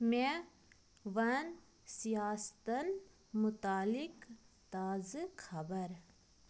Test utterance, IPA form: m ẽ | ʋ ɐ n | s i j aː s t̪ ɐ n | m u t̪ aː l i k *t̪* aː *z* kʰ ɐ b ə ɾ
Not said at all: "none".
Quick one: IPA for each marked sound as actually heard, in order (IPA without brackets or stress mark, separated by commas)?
t̪, z